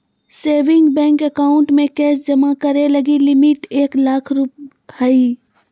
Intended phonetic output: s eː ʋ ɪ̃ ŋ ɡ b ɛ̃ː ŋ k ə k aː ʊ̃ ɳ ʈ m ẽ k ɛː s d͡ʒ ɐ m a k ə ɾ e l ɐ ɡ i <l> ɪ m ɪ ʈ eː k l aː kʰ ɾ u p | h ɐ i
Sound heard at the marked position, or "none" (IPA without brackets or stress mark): l